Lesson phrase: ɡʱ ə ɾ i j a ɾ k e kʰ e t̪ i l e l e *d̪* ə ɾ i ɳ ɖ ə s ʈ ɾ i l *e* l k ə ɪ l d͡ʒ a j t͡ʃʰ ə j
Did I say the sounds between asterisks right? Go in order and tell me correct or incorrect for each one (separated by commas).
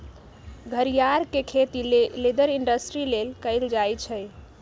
correct, correct